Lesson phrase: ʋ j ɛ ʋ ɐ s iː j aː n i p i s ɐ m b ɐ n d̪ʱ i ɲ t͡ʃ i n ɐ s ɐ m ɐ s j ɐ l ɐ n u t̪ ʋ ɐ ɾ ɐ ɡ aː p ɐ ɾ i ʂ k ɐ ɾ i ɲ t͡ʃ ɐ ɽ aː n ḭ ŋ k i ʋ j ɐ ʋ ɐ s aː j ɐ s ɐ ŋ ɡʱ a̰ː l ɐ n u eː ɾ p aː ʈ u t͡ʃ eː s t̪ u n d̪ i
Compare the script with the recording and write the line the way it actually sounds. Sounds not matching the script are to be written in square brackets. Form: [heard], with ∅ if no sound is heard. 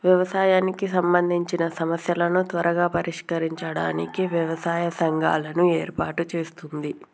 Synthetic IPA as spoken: ʋ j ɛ ʋ ɐ s [aː] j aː n i [k] i s ɐ m b ɐ n d̪ʱ i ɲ t͡ʃ i n ɐ s ɐ m ɐ s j ɐ l ɐ n u t̪ ʋ ɐ ɾ ɐ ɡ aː p ɐ ɾ i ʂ k ɐ ɾ i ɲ t͡ʃ ɐ ɽ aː n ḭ [∅] k i ʋ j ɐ ʋ ɐ s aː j ɐ s ɐ ŋ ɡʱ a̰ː l ɐ n u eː ɾ p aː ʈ u t͡ʃ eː s t̪ u n d̪ i